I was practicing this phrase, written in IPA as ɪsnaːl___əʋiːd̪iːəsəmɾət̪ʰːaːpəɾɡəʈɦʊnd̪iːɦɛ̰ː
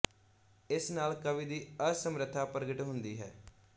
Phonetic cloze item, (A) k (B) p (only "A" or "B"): A